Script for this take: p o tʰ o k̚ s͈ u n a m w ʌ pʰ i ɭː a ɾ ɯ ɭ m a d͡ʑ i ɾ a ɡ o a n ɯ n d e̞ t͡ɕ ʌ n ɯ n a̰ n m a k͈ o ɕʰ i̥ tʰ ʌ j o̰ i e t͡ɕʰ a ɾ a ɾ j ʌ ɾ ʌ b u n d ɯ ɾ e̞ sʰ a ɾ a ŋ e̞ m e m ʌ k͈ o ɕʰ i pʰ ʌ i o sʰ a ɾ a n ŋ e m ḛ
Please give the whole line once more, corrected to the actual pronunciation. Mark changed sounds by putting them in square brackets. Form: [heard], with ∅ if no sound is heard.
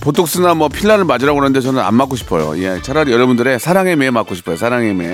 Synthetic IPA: p o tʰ o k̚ s͈ [ɯ] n a m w ʌ pʰ i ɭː a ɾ ɯ ɭ m a d͡ʑ i ɾ a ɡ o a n ɯ n d e̞ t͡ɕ ʌ n ɯ n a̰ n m a k͈ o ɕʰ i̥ [pʰ] ʌ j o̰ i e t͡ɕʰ a ɾ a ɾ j ʌ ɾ ʌ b u n d ɯ ɾ e̞ sʰ a ɾ a ŋ e̞ m e m [a] k͈ o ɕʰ i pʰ ʌ [j] o sʰ a ɾ a [∅] ŋ e m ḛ